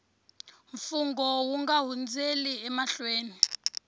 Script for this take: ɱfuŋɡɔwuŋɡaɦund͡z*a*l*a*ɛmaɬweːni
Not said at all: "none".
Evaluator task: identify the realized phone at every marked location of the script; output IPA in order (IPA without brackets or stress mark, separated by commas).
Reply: e, i